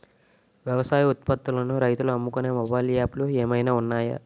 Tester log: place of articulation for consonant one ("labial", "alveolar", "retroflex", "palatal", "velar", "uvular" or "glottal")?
labial